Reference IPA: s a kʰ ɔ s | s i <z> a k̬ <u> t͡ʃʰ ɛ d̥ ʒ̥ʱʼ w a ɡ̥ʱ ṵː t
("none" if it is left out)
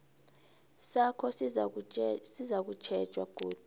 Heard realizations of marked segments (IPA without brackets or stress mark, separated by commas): z, u